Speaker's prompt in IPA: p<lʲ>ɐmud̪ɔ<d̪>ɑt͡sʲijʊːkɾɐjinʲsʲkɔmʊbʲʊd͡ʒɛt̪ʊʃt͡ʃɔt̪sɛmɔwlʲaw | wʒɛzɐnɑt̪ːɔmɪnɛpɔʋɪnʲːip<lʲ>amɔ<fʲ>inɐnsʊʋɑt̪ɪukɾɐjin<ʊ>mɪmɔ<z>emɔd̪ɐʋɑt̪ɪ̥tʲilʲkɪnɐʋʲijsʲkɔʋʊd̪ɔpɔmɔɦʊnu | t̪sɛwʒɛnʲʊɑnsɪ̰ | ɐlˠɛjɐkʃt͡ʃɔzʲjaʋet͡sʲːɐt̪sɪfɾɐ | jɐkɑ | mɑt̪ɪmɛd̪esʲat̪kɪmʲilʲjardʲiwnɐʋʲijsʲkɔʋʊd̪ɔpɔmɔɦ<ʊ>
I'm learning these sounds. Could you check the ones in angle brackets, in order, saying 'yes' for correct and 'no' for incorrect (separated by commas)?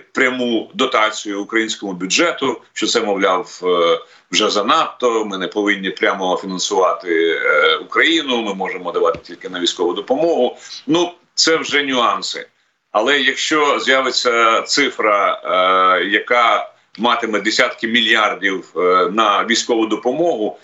no, no, no, yes, yes, no, yes